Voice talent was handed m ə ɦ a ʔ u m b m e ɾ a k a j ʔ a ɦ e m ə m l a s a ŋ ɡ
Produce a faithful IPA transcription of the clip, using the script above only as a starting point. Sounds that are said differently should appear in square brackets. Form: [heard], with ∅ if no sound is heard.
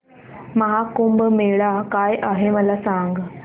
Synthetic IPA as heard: m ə ɦ a [k] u m b m e [ɭ] a k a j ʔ a ɦ e m ə [∅] l a s a ŋ ɡ